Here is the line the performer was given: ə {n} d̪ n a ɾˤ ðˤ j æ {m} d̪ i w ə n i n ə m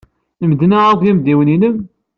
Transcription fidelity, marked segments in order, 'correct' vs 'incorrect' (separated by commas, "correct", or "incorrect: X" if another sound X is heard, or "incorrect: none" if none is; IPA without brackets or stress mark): incorrect: m, correct